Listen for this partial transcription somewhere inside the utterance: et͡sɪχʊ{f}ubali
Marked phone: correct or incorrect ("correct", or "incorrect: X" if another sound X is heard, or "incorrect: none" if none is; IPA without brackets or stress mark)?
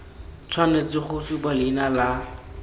incorrect: s